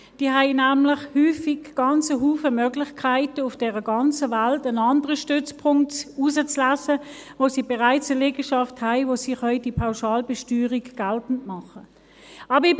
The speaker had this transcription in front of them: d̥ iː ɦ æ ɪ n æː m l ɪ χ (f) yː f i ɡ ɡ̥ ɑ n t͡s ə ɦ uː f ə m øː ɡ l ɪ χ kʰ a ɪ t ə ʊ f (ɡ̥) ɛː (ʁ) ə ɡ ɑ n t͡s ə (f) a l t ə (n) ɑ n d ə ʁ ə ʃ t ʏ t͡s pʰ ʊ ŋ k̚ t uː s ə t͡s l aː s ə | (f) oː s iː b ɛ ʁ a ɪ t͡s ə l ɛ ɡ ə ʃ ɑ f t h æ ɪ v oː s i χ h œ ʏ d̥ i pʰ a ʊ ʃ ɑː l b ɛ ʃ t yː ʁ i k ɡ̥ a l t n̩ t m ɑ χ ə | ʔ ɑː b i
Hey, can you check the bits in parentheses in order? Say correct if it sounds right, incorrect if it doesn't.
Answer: incorrect: h, incorrect: d̥, correct, incorrect: v, correct, incorrect: v

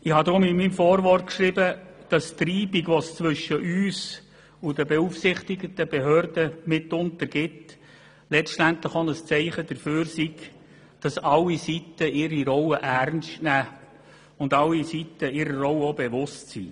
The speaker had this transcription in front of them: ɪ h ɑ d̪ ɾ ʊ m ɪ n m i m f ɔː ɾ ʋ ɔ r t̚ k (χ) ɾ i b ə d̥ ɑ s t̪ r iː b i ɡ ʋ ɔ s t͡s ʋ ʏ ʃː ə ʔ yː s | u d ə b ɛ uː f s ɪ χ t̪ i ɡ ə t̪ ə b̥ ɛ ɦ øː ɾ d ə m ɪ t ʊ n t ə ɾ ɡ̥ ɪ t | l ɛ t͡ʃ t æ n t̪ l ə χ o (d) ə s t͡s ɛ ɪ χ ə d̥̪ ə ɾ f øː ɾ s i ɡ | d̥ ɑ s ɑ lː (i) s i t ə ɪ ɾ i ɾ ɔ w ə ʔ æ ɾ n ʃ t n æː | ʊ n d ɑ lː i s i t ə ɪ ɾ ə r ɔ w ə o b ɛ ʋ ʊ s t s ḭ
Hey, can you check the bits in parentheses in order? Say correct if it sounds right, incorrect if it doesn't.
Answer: incorrect: ʃ, incorrect: n, correct

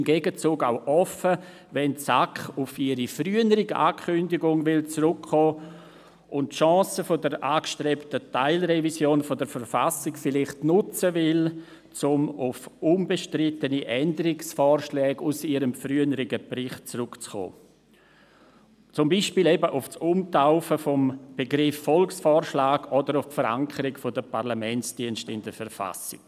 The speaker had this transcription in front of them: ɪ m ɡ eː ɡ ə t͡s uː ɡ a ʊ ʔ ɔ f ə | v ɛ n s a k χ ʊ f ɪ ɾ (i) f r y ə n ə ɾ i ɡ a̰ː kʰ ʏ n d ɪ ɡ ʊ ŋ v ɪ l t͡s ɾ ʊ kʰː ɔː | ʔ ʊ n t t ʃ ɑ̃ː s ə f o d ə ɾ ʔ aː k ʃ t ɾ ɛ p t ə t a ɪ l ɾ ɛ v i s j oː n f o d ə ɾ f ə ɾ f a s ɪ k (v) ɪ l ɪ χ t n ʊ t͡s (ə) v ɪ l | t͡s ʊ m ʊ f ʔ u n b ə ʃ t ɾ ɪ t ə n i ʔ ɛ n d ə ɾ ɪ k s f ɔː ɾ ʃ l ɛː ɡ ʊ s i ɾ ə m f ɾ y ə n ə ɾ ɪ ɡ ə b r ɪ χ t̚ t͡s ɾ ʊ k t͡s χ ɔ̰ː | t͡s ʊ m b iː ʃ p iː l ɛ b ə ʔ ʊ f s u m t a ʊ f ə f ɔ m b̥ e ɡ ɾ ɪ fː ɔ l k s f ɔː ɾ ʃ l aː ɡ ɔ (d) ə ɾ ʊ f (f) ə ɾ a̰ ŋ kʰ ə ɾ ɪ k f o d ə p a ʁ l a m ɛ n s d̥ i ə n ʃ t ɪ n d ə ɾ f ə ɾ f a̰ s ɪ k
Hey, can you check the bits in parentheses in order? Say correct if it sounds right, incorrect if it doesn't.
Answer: correct, incorrect: f, correct, correct, correct

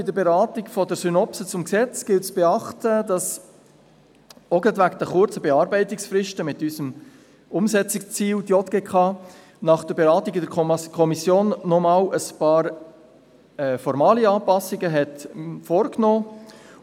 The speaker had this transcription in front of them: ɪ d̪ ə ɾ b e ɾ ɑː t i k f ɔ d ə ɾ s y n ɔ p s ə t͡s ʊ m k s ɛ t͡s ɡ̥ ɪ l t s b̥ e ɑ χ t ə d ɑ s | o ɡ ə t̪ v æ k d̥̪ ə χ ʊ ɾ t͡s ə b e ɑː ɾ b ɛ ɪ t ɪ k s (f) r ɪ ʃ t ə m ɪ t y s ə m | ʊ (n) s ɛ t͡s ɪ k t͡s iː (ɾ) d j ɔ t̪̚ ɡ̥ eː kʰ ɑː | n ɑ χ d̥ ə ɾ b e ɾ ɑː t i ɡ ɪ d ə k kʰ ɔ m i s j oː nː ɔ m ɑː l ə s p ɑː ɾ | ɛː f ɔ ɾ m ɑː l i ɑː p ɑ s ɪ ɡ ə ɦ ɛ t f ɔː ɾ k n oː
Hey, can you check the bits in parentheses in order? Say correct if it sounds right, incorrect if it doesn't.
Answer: correct, incorrect: m, incorrect: l

